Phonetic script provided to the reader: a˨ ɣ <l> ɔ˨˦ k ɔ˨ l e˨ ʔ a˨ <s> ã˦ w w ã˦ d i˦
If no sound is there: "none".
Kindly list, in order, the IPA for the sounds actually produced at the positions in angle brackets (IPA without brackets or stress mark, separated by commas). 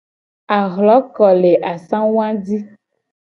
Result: l, s